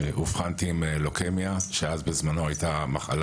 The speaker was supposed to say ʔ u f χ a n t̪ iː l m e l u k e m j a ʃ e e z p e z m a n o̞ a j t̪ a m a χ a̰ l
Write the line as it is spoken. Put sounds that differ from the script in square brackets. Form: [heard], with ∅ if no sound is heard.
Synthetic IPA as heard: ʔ u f χ a n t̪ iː [∅] m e l [o] k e m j a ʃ e [a] z [b] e z m a n o̞ a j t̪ a m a χ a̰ l